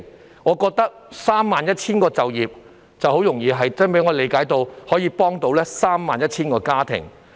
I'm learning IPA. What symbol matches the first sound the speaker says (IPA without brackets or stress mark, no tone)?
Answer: ŋ